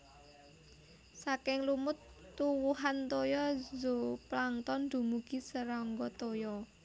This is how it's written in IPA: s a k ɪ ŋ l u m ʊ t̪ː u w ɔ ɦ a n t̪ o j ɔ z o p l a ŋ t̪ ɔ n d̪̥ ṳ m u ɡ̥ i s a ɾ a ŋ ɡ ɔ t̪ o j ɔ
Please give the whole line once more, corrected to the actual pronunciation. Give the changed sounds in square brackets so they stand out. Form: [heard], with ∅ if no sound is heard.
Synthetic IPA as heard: s a k ɪ ŋ l u m ʊ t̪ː u w [u] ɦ a n t̪ o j ɔ z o p l a ŋ t̪ ɔ n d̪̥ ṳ m u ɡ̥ i s [ə] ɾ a ŋ ɡ ɔ t̪ o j ɔ